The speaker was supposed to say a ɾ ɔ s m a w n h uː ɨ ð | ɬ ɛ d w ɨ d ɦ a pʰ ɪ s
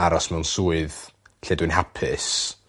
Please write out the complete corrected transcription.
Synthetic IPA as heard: a ɾ ɔ s m ɛ w n s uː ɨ ð | ɬ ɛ d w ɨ n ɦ a pʰ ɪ s

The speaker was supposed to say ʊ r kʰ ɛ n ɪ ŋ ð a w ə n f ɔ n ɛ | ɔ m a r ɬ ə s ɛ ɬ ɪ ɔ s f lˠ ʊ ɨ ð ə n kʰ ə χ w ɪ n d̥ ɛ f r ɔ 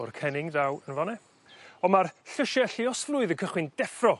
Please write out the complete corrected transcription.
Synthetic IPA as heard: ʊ r kʰ ɛ n ɪ ŋ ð a w ə n v ɔ n ɛ | ɔ m a r ɬ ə ʃ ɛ ɬ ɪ ɔ s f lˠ ʊ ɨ ð ə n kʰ ə χ w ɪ n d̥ ɛ f r ɔ

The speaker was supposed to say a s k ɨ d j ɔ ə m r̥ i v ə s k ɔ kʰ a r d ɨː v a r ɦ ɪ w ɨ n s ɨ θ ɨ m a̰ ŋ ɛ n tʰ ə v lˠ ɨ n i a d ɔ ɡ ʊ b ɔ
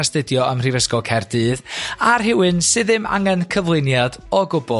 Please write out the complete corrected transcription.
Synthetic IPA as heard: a s t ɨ d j ɔ ə m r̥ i v ə s k ɔ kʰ ɛ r d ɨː ð a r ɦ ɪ w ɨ n s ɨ ð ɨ m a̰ ŋ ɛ n kʰ ə v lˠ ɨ n j a d ɔ ɡ ʊ b ɔ

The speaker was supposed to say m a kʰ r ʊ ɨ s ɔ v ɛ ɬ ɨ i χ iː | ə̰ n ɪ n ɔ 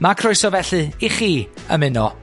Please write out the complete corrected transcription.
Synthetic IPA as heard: m a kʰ r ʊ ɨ s ɔ v ɛ ɬ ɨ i χ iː | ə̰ m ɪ n ɔ

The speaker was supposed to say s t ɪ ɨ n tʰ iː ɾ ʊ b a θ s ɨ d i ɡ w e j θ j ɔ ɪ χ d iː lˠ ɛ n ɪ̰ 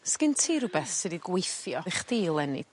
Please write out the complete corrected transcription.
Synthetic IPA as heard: s k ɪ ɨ n tʰ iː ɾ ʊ b ɛ θ s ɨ d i ɡ w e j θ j ɔ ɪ χ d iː lˠ ɛ n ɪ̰

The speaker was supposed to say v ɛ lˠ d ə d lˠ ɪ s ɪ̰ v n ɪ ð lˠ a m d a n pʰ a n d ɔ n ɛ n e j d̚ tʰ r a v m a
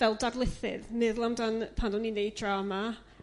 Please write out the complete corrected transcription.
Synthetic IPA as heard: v ɛ lˠ d a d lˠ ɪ θ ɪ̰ ð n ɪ ð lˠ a m d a n pʰ a n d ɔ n i n e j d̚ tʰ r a m a

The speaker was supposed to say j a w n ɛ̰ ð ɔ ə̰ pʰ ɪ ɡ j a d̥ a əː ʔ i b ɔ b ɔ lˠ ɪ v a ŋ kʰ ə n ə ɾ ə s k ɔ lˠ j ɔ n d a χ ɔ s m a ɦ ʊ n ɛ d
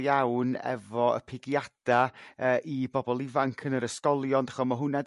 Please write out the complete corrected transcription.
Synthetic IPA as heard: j a w n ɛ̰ v ɔ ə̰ pʰ ɪ ɡ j a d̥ a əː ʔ i b ɔ b ɔ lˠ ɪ v a ŋ kʰ ə n ə ɾ ə s k ɔ lˠ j ɔ n d a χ ɔ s m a ɦ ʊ n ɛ d

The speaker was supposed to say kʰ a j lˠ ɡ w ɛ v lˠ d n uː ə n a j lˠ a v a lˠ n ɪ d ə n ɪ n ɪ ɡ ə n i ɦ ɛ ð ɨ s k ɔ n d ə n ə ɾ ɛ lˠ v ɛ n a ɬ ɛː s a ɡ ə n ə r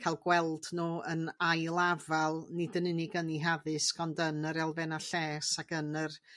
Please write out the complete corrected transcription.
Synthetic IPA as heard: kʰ a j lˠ ɡ w ɛ lˠ d n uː ə n a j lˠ a v a lˠ n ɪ d ə n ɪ n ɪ ɡ ə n i ɦ a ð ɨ s k ɔ n d ə n ə ɾ ɛ lˠ v ɛ n a ɬ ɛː s a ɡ ə n ə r

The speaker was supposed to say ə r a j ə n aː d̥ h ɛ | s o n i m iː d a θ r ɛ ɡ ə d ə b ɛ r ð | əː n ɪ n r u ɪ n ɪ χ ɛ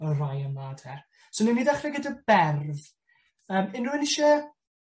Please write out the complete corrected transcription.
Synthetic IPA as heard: ə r a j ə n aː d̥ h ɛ | s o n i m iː d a χ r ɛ ɡ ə d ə b ɛ r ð | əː m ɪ n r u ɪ n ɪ ʃ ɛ

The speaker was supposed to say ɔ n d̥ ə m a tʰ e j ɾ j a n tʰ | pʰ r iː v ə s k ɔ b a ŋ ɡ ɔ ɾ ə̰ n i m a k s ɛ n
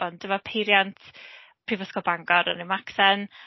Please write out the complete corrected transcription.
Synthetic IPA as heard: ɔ n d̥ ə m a pʰ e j ɾ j a n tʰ | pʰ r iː v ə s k ɔ b a ŋ ɡ ɔ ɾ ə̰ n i m a k s ɛ n

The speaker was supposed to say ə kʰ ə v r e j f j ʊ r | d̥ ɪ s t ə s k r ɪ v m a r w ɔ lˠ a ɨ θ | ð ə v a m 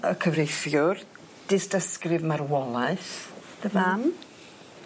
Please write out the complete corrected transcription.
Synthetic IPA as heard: ə kʰ ə v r e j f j ʊ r | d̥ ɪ s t ə s k r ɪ v m a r w ɔ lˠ a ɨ θ | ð ə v a m

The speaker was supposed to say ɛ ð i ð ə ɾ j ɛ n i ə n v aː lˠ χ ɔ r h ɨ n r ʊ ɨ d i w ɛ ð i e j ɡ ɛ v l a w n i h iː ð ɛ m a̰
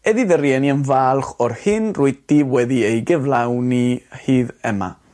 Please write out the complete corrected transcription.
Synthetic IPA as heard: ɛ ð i ð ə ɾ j ɛ n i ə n v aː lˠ χ ɔ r h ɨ n r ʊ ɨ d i w ɛ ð i e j ɡ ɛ v l a w n i h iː ð ɛ m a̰

